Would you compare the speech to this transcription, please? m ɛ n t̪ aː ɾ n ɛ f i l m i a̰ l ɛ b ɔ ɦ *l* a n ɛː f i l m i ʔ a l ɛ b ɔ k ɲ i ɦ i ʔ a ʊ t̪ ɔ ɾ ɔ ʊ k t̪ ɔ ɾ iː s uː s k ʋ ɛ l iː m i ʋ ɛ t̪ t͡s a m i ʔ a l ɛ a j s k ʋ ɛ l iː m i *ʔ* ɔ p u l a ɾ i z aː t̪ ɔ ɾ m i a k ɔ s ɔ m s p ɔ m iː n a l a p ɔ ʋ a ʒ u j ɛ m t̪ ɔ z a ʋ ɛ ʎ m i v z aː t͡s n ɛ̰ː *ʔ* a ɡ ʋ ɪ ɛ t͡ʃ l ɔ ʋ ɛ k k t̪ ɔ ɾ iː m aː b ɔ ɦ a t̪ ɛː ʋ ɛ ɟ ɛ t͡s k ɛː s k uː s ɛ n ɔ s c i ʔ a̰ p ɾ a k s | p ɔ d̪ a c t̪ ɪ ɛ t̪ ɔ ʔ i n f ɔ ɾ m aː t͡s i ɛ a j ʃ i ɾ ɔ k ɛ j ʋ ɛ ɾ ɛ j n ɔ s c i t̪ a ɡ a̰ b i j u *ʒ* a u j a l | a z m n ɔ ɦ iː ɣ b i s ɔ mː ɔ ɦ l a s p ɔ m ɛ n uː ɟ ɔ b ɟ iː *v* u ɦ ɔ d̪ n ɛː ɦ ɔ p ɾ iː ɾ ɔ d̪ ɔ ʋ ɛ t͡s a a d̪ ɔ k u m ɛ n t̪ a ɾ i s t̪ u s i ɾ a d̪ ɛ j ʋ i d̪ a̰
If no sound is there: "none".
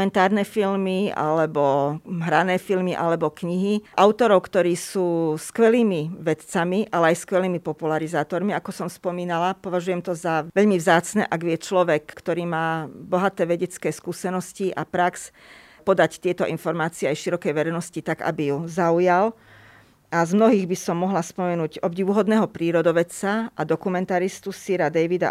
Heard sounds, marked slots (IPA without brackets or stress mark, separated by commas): ɾ, p, ʔ, z, ʋ